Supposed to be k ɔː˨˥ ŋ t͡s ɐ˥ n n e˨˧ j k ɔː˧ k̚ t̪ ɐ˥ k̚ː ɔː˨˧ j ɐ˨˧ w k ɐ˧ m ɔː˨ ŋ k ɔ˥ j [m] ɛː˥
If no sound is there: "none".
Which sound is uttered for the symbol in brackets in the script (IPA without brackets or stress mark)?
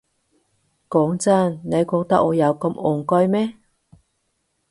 m